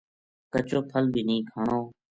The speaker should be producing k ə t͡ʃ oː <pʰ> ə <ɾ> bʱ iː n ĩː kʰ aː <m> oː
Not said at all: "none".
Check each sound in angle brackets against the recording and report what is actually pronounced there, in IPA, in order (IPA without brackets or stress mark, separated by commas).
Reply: pʰ, l, ɳ